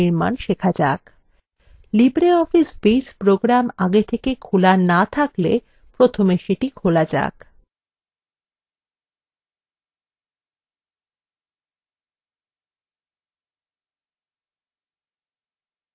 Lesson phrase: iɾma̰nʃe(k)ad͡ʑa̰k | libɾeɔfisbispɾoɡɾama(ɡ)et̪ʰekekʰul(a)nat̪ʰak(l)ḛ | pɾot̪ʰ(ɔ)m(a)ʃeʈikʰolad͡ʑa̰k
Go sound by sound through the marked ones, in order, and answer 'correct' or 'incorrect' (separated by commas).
incorrect, correct, correct, correct, incorrect, incorrect